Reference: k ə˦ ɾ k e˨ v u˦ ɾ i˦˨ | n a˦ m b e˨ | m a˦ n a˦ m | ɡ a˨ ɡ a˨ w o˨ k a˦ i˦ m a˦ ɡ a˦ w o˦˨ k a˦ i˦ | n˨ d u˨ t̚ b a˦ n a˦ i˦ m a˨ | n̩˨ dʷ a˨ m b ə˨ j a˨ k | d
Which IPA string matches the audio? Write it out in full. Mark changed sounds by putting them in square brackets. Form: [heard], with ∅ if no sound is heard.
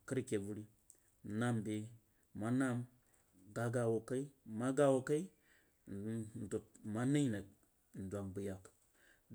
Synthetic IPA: k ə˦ ɾ k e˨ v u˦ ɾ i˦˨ | n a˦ m b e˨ | m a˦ n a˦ m | ɡ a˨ ɡ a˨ w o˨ k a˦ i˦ m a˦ ɡ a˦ w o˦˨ k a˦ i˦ | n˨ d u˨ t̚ [m] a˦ n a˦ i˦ [n] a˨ | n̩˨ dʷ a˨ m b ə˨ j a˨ k | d